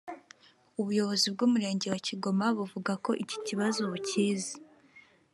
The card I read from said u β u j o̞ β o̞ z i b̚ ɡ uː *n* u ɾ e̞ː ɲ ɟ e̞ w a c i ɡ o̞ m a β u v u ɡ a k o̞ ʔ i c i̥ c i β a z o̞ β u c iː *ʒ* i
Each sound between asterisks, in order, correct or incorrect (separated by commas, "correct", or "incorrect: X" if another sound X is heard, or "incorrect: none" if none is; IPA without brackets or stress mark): incorrect: m, incorrect: z